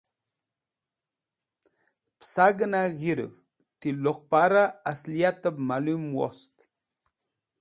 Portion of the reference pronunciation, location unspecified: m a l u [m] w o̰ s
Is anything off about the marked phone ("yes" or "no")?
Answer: no